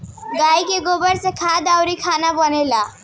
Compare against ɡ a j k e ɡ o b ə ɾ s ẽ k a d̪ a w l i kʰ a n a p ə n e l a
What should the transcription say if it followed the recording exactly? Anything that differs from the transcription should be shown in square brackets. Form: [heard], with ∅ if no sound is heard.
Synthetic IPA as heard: ɡ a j k e ɡ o b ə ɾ s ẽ [kʰ] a d̪ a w [ɾ] i kʰ a n a [b] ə n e l a